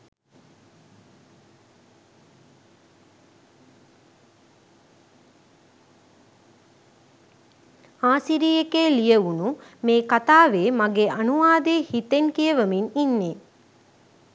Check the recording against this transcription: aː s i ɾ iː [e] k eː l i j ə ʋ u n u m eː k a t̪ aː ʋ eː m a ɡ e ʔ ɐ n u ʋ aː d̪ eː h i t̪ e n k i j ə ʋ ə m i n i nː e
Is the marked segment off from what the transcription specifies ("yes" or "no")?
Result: no